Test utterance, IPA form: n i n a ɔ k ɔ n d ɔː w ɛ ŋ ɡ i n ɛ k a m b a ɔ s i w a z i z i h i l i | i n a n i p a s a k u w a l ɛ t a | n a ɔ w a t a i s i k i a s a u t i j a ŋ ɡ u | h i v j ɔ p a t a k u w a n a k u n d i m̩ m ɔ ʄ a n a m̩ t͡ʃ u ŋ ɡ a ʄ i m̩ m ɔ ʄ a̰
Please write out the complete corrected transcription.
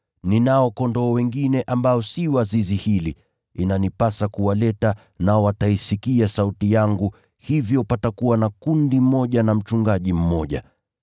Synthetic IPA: n i n a ɔ k ɔ n d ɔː w ɛ ŋ ɡ i n ɛ ʔ a m b a ɔ s i w a z i z i h i l i | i n a n i p a s a k u w a l ɛ t a | n a ɔ w a t a i s i k i a s a u t i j a ŋ ɡ u | h i v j ɔ p a t a k u w a n a k u n d i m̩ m ɔ ʄ a n a m̩ t͡ʃ u ŋ ɡ a ʄ i m̩ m ɔ ʄ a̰